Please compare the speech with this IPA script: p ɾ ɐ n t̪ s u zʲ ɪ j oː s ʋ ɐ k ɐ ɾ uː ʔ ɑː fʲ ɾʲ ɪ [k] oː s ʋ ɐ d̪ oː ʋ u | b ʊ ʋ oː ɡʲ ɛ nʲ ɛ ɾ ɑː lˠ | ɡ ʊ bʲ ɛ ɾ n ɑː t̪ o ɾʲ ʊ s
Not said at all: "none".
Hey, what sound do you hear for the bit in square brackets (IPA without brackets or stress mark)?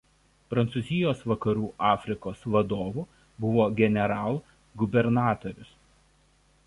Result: k